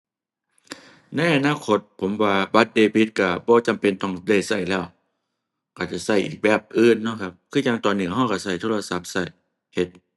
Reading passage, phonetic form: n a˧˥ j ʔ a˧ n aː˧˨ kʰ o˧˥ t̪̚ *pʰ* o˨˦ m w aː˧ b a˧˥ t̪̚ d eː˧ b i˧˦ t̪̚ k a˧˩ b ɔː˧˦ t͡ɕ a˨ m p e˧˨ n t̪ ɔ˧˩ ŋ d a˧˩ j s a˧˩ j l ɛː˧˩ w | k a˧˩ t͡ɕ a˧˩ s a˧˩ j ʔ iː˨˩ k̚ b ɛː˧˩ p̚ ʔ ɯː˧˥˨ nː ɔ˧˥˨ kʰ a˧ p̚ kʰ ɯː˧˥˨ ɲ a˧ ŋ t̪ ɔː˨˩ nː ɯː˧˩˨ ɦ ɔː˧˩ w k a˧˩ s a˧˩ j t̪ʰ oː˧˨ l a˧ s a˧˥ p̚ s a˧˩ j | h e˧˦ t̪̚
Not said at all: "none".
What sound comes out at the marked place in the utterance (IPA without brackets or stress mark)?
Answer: pʰ